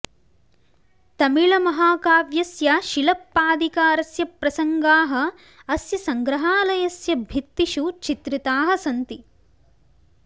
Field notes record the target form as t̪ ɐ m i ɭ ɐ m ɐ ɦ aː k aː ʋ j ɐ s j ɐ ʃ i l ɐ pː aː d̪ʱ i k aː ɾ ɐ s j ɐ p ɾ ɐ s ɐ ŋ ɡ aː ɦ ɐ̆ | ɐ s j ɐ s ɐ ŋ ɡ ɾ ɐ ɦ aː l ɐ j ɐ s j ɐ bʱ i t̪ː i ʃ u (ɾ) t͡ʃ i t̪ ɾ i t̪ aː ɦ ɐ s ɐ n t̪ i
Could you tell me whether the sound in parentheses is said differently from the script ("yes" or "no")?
yes